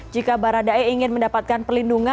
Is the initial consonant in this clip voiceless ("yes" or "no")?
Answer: no